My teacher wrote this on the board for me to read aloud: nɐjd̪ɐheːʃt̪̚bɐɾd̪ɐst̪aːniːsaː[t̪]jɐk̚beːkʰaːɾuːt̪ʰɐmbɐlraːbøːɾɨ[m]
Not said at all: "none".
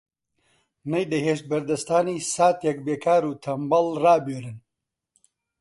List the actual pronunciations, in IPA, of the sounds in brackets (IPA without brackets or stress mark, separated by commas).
t̪, n